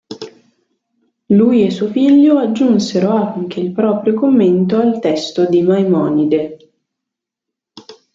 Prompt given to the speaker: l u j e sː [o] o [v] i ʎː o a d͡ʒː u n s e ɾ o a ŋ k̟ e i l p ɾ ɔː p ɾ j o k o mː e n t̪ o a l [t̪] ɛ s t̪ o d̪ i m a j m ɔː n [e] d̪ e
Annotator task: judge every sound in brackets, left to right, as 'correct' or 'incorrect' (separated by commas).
incorrect, incorrect, correct, incorrect